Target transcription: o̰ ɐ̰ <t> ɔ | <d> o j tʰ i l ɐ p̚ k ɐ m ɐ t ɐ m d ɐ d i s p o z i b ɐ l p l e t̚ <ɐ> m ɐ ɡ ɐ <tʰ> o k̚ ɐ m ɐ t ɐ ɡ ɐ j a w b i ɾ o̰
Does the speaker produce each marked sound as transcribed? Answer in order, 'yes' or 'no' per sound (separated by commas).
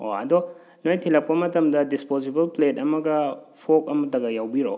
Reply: no, no, yes, no